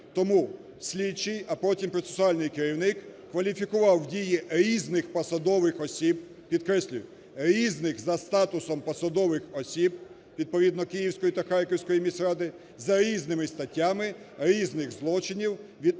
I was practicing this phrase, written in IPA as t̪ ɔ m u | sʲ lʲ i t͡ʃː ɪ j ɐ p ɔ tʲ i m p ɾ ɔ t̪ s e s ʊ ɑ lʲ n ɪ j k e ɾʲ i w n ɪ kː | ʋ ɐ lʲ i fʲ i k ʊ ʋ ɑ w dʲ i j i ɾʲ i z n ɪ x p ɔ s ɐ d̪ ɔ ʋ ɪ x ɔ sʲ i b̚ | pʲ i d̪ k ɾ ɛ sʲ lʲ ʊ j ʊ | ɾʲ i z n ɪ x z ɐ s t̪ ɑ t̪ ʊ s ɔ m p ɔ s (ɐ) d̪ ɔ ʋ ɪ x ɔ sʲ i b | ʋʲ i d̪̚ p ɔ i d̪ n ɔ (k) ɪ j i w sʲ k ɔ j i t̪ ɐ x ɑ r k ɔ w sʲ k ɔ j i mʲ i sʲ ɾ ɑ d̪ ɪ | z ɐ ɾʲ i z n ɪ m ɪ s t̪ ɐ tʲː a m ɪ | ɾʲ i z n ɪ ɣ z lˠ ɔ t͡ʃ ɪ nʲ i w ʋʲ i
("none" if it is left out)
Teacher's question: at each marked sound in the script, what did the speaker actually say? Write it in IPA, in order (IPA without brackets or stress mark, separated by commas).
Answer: ɐ, k